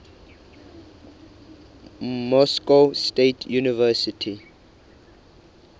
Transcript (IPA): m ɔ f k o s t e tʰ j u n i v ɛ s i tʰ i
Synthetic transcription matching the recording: m ɔ s k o s t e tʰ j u n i v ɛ s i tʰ i